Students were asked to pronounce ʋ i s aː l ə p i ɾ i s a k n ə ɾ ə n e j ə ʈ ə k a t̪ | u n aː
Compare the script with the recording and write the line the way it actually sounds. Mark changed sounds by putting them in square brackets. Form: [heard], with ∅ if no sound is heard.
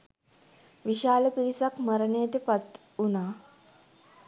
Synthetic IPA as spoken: ʋ i [ʃ] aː l ə p i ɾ i s a k [m] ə ɾ ə n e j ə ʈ ə [p] a t̪ | u n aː

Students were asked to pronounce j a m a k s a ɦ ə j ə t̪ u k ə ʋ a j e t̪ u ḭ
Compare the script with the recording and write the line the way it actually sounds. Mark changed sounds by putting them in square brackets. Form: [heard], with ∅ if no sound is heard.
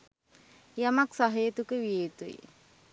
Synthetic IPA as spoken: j a m a k s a ɦ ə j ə t̪ u k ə ʋ [i] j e t̪ u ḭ

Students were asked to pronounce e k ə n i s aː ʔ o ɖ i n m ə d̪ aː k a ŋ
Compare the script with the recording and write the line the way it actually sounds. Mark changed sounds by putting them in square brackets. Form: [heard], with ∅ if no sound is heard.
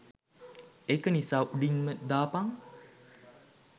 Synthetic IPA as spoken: e k ə n i s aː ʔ [u] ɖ i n m ə d̪ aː [p] a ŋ

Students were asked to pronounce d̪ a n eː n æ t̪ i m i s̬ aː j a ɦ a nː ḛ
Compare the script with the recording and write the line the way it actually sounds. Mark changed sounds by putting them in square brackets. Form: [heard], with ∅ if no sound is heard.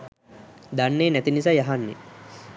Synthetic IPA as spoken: d̪ a [nː] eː n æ t̪ i [n] i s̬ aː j a ɦ a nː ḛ

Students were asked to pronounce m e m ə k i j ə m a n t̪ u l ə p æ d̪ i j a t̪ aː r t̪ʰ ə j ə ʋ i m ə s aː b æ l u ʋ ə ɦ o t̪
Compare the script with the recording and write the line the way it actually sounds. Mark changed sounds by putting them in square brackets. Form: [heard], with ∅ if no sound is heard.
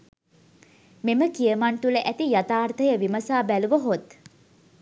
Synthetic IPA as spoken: m e m ə k i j ə m a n t̪ u l ə [ʔ] æ [t̪] i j a t̪ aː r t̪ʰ ə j ə ʋ i m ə s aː b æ l u ʋ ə ɦ o t̪

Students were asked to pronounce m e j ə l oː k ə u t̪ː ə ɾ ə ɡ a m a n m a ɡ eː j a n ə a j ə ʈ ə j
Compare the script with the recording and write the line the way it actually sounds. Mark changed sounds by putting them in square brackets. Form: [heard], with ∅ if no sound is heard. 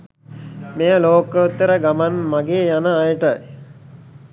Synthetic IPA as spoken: m e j ə l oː k ə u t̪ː ə ɾ ə ɡ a m a n m a ɡ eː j a n ə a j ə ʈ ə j

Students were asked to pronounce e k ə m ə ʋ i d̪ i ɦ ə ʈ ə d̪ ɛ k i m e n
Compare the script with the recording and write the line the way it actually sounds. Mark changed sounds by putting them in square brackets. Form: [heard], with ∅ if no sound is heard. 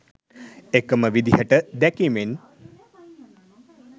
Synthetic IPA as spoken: e k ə m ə ʋ i d̪ i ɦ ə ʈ ə d̪ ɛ k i m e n

